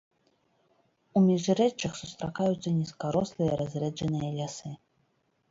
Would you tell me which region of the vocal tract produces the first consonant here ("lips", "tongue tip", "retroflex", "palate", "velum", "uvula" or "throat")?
lips